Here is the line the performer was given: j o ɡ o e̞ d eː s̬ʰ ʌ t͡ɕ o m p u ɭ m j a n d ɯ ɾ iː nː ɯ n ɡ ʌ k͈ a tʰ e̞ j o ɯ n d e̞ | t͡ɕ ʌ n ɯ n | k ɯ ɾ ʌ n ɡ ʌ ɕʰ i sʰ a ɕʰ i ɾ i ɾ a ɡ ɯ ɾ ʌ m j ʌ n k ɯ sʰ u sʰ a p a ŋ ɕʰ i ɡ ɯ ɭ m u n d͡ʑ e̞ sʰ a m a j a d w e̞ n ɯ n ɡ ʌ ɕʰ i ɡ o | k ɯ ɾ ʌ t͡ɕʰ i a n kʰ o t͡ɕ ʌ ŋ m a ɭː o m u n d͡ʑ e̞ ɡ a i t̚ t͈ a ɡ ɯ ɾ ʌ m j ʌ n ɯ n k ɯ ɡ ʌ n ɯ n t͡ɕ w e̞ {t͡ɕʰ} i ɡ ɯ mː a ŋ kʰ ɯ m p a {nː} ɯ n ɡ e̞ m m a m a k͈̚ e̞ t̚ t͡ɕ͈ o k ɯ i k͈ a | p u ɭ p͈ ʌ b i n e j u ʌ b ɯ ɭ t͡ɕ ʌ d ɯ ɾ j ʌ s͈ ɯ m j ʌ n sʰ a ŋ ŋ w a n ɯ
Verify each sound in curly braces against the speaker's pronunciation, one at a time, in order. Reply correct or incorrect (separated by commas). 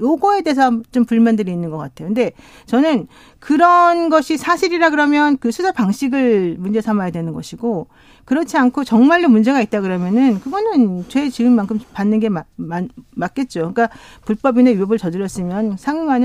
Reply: incorrect, correct